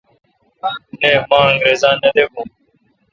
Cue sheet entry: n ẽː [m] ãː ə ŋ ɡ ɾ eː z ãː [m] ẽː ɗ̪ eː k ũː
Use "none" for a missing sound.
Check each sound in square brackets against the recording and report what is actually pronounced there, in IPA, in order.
m, n

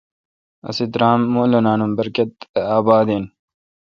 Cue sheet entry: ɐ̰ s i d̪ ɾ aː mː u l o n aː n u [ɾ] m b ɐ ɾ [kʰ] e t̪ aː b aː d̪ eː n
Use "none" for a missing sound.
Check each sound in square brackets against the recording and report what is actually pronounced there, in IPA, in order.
none, k

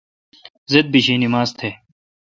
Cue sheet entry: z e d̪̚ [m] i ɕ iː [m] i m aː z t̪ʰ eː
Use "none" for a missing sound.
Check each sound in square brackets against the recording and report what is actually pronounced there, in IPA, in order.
b, n

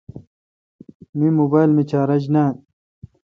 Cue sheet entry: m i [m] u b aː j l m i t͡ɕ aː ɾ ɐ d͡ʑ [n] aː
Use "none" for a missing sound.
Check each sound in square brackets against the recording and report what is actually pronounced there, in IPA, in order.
m, n

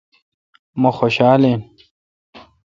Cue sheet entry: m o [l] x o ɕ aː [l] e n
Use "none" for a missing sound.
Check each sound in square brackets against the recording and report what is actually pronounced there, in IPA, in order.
none, l

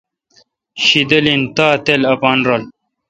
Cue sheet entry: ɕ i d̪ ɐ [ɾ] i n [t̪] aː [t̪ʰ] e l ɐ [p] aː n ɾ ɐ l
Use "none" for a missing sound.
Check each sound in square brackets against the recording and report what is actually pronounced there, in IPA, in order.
l, t̪, t̪, p

